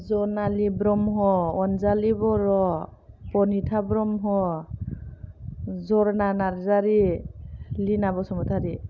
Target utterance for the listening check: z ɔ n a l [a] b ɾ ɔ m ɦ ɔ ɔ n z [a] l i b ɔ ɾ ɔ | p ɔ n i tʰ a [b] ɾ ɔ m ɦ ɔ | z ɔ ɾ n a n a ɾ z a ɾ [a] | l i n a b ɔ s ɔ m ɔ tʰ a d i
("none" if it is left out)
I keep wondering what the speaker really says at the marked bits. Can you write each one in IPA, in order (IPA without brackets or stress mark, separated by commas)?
i, a, b, i